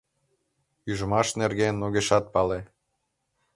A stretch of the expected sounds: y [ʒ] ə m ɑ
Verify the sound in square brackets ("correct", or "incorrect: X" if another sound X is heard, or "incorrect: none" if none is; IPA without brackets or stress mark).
correct